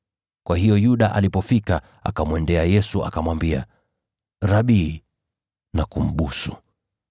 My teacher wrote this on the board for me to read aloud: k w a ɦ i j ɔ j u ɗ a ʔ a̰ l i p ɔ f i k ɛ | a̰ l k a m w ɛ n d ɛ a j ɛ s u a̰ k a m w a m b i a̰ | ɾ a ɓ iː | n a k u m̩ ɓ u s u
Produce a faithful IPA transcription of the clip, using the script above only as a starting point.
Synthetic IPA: k w a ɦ i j ɔ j u ɗ a ʔ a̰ l i p ɔ f i k a | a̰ k a m w ɛ n d ɛ a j ɛ s u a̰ k a m w a m b i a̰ | ɾ a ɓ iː | n a k u m̩ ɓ u s u